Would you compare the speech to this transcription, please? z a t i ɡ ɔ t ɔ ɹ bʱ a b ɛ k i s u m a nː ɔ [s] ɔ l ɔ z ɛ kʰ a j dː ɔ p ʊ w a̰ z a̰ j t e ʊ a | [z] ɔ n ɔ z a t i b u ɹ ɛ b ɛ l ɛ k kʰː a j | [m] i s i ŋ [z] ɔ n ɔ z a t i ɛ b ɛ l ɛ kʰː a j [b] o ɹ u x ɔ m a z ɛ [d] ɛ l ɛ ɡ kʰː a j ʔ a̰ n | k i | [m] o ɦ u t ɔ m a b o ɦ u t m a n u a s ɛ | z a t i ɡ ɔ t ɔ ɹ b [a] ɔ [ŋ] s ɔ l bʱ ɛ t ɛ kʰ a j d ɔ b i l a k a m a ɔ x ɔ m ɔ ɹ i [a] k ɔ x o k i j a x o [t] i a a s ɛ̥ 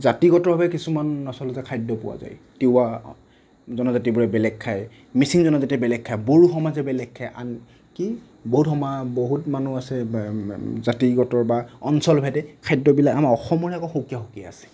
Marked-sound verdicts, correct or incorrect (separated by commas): correct, correct, correct, correct, correct, incorrect, incorrect, correct, incorrect, correct, incorrect